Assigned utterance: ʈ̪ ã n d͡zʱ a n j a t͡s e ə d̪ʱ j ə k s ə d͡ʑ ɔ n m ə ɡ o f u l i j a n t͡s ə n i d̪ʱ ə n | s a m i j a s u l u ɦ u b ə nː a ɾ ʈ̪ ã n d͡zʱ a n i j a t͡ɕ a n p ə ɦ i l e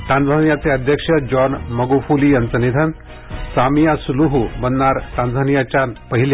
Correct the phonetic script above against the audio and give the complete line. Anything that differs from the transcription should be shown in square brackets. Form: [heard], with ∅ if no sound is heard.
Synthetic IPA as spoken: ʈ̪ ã n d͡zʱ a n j a t͡s e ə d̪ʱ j ə k [ʂ] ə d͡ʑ ɔ n m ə ɡ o f u l i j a n t͡s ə n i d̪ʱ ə n | s a m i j a s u l u ɦ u b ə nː a ɾ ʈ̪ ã n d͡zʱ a n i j a t͡ɕ a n p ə ɦ i l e

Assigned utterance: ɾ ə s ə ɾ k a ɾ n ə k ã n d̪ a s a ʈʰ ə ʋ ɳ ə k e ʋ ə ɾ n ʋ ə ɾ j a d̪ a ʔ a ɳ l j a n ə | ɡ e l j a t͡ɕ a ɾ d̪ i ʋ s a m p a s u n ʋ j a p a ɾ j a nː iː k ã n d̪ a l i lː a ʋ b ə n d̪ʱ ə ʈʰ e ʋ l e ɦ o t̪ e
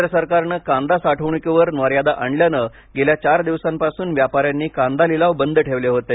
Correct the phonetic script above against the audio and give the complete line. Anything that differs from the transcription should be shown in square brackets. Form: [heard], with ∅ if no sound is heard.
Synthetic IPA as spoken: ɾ ə s ə ɾ k a ɾ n ə k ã n d̪ a s a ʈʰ ə ʋ ɳ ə k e ʋ ə ɾ n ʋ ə ɾ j a d̪ a ʔ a ɳ l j a n ə | ɡ e l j a t͡ɕ a ɾ d̪ i ʋ s a m p a s [uː] n ʋ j a p a ɾ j a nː iː k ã n d̪ a l i [l] a ʋ b ə n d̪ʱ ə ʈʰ e ʋ l e ɦ o t̪ e

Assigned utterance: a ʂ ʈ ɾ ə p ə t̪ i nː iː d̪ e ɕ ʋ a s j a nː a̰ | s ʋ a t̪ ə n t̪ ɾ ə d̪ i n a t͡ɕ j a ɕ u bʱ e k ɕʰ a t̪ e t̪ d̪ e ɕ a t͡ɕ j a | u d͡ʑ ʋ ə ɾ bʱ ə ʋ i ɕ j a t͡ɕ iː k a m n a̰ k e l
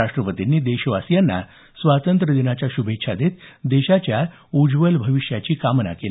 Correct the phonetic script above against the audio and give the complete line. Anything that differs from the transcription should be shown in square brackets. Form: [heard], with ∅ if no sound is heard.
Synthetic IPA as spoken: a ʂ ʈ ɾ ə p ə t̪ i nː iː d̪ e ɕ ʋ a s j a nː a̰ | s ʋ a t̪ ə n t̪ ɾ ə d̪ i n a t͡ɕ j a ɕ u bʱ e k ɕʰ a [d̪] e t̪ d̪ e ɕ a t͡ɕ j a | u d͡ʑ ʋ ə [l] bʱ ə ʋ i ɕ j a t͡ɕ iː k a m n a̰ k e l

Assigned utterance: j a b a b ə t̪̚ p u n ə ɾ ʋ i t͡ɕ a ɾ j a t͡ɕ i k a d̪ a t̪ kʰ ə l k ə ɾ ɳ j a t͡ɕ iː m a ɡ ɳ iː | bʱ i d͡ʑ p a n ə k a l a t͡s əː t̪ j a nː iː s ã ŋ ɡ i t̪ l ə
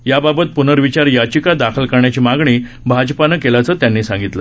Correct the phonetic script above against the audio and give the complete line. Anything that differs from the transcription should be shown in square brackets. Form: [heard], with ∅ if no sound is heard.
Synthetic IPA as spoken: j a b a b ə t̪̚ p u n ə ɾ ʋ i t͡ɕ a ɾ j a t͡ɕ i k a d̪ a [∅] kʰ ə l k ə ɾ ɳ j a t͡ɕ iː m a ɡ ɳ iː | bʱ [a] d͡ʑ p a n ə k [e] l a t͡s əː t̪ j a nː iː s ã ŋ ɡ i t̪ l ə

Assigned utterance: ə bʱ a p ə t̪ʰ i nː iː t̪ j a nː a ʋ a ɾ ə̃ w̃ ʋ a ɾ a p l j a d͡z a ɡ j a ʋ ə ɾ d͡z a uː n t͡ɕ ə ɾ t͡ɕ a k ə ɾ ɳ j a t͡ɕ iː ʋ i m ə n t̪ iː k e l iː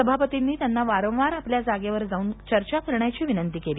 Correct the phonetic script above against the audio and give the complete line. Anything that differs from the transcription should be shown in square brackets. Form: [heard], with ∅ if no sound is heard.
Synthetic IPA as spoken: ə bʱ a p ə [t̪] i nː iː t̪ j a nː a ʋ a ɾ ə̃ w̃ ʋ a ɾ a p l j a d͡z a ɡ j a ʋ ə ɾ d͡z a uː n t͡ɕ ə ɾ t͡ɕ a k ə ɾ ɳ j a t͡ɕ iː ʋ i [n] ə n t̪ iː k e l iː

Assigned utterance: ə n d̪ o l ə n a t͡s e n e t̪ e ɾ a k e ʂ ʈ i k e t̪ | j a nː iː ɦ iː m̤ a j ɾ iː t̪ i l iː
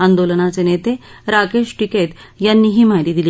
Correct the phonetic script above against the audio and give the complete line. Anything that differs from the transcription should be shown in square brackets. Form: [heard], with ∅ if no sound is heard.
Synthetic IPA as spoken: [a] n d̪ o l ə n a t͡s e n e t̪ e ɾ a k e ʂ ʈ i k e t̪ | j a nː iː ɦ iː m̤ a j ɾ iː [d̪] i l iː

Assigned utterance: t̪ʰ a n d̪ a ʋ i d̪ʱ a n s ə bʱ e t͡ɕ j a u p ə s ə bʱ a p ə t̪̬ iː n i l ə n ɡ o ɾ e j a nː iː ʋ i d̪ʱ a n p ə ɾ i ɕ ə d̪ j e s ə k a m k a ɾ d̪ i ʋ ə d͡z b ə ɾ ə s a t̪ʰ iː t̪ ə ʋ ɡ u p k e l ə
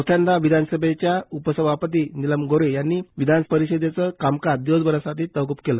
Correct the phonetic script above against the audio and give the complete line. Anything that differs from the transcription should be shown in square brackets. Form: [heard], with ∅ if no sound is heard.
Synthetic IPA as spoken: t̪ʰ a n d̪ a ʋ i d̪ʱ a n s ə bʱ e t͡ɕ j a u p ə s ə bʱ a p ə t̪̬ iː n i l ə [m] ɡ o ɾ e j a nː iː ʋ i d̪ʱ a n p ə ɾ i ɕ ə d̪ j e [t͡s] ə k a m k a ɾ d̪ i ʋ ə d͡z b ə ɾ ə s a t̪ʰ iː t̪ ə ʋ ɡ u p k e l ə

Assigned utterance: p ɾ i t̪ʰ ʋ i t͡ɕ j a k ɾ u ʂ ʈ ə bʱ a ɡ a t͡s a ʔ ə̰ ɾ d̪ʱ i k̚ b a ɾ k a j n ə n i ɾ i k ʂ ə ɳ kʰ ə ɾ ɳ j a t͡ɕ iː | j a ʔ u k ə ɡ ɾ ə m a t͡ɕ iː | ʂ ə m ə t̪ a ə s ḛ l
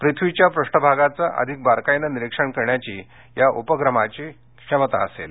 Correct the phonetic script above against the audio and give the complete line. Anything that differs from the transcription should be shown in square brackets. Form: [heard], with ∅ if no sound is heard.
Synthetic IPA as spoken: p ɾ i t̪ʰ ʋ i t͡ɕ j a [p] ɾ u ʂ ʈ ə bʱ a ɡ a t͡s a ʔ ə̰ [∅] d̪ʱ i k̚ b a ɾ k a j n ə n i ɾ i k ʂ ə ɳ [k] ə ɾ ɳ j a t͡ɕ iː | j a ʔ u [p] ə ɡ ɾ ə m a t͡ɕ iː | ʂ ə m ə t̪ a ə s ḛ l

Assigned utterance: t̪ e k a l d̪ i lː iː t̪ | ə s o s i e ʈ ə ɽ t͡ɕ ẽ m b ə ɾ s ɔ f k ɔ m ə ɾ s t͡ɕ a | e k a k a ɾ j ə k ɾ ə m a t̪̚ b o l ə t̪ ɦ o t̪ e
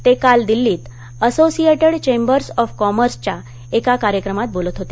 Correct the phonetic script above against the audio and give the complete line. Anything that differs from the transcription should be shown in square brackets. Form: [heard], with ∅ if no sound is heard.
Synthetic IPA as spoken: t̪ e k a l d̪ i lː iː t̪ | ə s o s i e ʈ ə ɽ t͡ɕ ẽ m b ə ɾ s ɔ f k ɔ m ə ɾ s t͡ɕ a | e k a k a ɾ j ə k ɾ ə m a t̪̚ b o l ə t̪ ɦ o t̪ e

